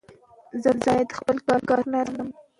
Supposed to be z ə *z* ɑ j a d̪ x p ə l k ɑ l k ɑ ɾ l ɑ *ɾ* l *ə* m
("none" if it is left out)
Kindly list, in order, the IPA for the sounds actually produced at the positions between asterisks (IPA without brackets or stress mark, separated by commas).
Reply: z, ɾ, ə